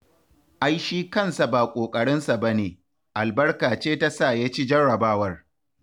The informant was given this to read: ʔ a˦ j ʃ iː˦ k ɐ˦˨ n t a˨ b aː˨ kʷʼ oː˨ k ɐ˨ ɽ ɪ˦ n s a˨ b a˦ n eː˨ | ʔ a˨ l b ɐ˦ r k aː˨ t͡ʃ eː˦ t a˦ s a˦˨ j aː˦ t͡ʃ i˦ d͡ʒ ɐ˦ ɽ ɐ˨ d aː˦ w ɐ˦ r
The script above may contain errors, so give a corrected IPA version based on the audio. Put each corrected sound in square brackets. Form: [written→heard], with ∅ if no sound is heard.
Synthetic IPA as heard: ʔ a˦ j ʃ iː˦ k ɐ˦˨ n [t→s] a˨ b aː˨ kʷʼ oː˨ [k→kʼ] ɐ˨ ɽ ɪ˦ n s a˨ b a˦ n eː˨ | ʔ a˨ l b ɐ˦ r k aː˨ t͡ʃ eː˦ t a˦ s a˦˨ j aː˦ t͡ʃ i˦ d͡ʒ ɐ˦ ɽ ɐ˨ [d→b] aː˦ w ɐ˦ r